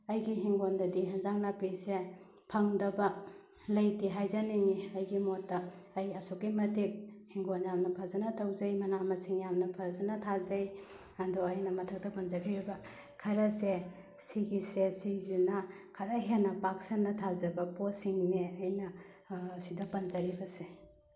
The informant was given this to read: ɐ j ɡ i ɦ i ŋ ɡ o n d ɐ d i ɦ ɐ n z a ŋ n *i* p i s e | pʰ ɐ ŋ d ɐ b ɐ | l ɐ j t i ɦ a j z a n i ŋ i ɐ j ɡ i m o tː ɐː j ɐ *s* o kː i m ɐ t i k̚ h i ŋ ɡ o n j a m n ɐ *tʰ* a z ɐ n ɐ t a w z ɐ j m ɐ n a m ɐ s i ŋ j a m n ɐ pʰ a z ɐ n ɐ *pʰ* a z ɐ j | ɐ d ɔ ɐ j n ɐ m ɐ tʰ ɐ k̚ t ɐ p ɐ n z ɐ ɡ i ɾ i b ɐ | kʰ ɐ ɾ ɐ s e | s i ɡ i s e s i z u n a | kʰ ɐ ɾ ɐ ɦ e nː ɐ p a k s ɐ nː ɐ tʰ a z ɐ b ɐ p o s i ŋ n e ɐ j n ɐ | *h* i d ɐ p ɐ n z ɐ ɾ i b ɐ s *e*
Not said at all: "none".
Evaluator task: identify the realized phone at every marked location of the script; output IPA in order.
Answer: a, s, pʰ, tʰ, s, e

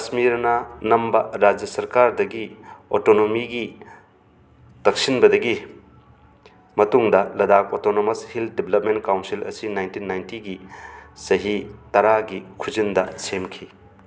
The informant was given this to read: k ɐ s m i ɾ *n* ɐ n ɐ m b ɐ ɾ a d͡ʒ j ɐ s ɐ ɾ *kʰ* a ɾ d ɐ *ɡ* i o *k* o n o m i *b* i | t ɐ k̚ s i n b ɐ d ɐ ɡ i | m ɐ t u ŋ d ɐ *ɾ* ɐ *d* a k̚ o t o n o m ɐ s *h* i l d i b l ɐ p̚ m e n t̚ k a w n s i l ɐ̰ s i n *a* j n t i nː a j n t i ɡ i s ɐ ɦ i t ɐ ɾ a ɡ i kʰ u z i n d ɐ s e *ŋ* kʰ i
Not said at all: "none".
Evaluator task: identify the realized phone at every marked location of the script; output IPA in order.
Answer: n, k, ɡ, t, ɡ, l, d, h, a, m

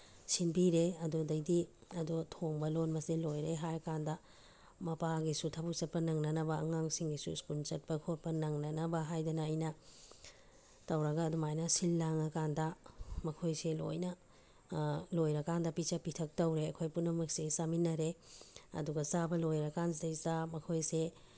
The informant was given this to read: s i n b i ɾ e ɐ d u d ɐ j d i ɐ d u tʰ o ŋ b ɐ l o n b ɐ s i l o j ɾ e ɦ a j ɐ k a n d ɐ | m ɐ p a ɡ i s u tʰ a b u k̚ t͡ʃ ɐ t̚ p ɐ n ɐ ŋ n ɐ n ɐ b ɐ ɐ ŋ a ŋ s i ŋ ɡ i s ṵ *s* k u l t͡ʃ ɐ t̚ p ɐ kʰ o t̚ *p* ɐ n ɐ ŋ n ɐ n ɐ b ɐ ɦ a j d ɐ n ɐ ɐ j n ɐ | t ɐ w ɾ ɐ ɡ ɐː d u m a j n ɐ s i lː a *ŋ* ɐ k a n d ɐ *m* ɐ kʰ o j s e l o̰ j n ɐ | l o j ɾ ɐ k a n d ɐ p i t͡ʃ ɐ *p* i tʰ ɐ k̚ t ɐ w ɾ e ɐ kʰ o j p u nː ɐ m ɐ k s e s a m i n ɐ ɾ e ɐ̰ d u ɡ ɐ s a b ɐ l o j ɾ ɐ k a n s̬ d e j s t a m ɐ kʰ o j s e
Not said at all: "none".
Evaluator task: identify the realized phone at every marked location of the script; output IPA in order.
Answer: s, p, ŋ, m, p

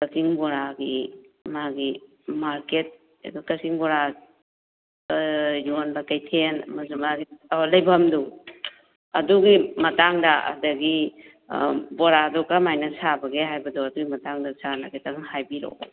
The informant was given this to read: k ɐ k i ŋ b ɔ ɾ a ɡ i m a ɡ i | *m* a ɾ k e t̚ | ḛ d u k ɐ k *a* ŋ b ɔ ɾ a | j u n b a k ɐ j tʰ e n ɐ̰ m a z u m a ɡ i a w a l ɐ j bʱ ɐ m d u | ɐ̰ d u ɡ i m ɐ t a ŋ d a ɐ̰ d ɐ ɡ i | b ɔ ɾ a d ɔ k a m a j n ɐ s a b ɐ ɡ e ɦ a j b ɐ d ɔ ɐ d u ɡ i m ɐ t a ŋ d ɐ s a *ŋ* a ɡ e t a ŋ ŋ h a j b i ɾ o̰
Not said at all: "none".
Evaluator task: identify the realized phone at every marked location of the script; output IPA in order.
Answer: m, i, n

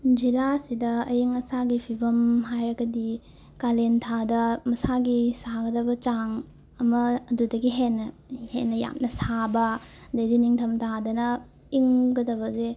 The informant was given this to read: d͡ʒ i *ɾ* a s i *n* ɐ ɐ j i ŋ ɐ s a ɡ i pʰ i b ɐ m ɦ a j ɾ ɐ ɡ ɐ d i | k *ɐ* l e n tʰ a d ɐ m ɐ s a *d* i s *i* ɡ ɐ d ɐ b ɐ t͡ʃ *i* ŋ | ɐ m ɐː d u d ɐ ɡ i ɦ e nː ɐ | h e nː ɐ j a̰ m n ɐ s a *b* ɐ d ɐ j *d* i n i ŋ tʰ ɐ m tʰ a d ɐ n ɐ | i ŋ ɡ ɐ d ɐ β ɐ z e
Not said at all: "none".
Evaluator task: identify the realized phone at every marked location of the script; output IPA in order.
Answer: l, d, a, ɡ, a, a, b, d

